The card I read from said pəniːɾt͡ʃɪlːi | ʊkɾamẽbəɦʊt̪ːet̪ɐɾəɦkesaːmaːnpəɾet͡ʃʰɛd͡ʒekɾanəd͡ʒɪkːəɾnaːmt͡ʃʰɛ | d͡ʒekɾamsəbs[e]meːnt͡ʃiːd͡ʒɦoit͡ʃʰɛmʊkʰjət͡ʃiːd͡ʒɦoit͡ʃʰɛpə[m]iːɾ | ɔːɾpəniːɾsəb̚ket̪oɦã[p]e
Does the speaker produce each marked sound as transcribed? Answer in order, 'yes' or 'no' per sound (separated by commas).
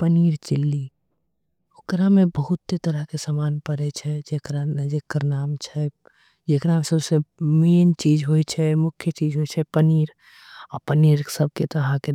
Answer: yes, no, no